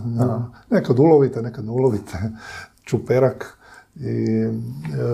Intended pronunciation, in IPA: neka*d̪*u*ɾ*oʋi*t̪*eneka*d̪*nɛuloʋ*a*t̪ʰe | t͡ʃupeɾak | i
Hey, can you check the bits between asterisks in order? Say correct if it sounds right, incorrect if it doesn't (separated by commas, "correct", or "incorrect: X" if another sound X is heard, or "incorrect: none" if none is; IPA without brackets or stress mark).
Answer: correct, incorrect: l, correct, correct, incorrect: i